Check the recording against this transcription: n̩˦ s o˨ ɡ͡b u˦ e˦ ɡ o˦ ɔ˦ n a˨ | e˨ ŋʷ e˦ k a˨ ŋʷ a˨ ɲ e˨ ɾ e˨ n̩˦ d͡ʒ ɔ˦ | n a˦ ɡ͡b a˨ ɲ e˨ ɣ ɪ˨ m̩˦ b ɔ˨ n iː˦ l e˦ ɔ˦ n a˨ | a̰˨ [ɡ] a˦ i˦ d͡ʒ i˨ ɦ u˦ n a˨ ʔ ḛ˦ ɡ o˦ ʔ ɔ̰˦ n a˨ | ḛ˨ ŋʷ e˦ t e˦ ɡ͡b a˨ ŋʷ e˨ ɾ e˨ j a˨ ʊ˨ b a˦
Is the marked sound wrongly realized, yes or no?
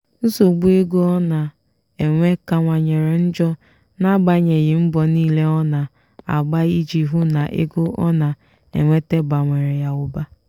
yes